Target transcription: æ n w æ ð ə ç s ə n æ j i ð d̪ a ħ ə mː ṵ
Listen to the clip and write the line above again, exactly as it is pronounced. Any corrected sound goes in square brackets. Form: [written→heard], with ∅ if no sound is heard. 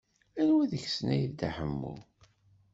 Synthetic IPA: æ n w æ ð ə ç s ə n æ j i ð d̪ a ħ ə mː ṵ